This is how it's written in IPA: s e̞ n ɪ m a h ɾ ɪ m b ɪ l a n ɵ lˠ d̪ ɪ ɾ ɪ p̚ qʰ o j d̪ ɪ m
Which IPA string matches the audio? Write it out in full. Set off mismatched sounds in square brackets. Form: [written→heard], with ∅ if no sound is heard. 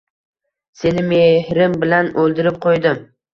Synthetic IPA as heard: s e̞ n ɪ m [a→e] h ɾ ɪ m b ɪ l a n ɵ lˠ d̪ ɪ ɾ ɪ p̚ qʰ o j d̪ ɪ m